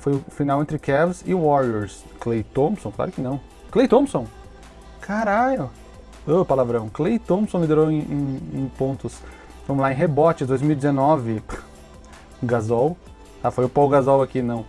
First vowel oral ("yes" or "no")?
yes